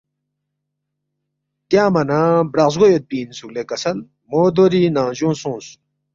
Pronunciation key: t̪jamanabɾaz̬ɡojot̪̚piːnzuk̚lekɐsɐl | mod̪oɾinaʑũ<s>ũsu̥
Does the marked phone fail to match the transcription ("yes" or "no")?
no